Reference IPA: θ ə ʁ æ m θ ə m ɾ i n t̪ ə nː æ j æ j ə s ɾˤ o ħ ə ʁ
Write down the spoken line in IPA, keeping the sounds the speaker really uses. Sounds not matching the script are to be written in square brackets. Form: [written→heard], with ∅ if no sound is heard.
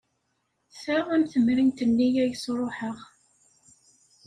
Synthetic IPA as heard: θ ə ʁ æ m θ ə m ɾ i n t̪ ə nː [æ→i] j æ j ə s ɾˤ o ħ ə ʁ